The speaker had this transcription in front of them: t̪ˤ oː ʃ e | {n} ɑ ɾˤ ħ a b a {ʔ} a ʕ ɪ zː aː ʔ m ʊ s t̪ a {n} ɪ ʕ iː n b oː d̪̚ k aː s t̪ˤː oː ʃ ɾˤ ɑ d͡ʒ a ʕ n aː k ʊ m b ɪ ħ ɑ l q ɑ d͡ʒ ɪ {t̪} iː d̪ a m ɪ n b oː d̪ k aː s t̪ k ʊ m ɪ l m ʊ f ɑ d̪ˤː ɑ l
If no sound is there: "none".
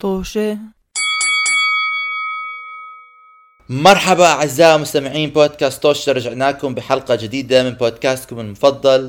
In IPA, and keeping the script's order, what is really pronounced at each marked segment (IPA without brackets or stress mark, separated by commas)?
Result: m, ʔ, m, d̪